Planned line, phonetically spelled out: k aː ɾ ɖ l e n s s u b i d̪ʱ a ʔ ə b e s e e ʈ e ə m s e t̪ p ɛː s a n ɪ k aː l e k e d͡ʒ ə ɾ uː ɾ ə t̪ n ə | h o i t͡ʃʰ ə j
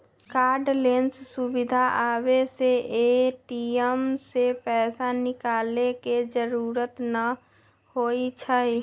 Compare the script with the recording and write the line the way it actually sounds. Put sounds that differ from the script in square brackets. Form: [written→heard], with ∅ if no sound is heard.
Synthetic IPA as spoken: k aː ɾ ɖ l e n s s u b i d̪ʱ a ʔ [ə→a] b e s e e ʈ [e→i] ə m s e [t̪→∅] p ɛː s a n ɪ k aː l e k e d͡ʒ ə ɾ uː ɾ ə t̪ n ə | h o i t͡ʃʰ ə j